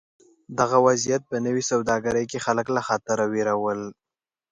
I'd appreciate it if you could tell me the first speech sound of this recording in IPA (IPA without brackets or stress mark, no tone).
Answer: d̪